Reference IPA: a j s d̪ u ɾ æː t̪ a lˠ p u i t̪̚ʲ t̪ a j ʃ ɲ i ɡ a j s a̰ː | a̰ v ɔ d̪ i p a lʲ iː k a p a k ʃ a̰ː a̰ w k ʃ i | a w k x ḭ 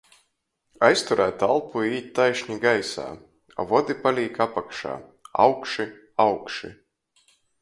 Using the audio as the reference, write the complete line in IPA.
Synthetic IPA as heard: a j s t̪ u ɾ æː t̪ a lˠ p u iː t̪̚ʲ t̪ a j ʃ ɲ i ɡ a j s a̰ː | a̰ v ɔ d̪ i p a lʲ iː k a p a k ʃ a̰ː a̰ w k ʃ i | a w k ʃ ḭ